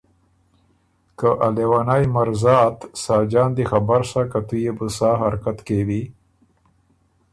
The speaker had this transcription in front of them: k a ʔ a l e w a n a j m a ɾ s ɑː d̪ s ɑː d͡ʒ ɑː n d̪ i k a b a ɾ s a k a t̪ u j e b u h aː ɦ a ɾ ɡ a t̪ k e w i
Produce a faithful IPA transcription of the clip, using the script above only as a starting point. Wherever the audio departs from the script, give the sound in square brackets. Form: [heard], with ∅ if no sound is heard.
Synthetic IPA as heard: k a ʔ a l e w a n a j m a ɾ [z] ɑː [t̪] s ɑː d͡ʒ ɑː n d̪ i [x] a b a ɾ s a k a t̪ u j e b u [s] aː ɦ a ɾ [k] a t̪ k e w i